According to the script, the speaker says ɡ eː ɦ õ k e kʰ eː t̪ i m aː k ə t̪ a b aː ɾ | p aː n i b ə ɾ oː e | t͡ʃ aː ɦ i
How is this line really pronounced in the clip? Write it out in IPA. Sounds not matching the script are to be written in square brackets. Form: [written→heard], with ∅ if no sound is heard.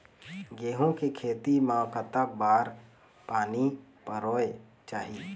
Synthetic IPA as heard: ɡ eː ɦ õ k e kʰ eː t̪ i m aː k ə t̪ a b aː ɾ | p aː n i [b→p] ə ɾ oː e | t͡ʃ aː ɦ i